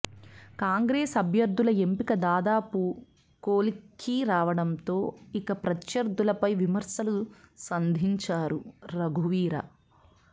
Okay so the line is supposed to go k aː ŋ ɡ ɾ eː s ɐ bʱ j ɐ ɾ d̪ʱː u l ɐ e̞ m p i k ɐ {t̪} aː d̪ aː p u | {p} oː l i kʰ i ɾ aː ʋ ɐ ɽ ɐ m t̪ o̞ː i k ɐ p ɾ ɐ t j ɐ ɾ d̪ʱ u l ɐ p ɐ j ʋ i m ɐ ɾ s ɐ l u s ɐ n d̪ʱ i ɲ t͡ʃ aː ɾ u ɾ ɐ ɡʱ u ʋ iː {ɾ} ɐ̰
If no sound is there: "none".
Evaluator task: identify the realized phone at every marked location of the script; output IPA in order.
d̪, k, ɾ

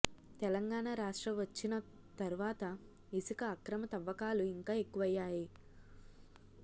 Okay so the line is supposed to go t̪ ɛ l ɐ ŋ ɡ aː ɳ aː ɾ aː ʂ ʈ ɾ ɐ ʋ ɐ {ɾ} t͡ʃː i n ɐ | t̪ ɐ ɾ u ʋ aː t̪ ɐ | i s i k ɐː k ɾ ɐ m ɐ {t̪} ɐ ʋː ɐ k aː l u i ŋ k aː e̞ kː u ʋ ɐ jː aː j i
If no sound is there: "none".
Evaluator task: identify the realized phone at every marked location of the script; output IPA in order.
none, t̪

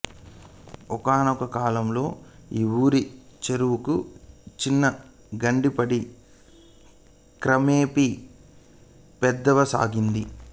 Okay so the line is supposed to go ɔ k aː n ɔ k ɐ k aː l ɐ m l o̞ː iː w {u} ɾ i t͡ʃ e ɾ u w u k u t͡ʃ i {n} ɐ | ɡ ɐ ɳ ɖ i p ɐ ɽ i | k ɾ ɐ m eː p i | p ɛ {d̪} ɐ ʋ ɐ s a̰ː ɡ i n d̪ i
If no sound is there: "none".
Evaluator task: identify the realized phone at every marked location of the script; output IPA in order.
uː, nː, d̪ː

